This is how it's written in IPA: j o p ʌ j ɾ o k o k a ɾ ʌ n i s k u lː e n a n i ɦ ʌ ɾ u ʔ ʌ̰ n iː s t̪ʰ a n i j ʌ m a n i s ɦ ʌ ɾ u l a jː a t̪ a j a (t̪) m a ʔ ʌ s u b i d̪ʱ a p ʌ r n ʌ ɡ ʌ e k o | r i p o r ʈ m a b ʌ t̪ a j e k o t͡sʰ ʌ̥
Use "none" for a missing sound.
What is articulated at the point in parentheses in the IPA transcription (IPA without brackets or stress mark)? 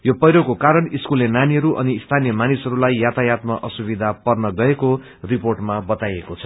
t̪